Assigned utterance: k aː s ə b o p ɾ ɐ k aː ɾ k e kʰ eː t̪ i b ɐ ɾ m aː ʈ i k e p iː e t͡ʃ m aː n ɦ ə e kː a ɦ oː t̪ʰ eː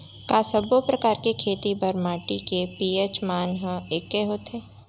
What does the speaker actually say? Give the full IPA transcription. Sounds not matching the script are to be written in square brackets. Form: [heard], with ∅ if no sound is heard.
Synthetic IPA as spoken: k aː s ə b o p ɾ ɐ k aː ɾ k e kʰ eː t̪ i b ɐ ɾ m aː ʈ i k e p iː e t͡ʃ m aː n ɦ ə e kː [e] ɦ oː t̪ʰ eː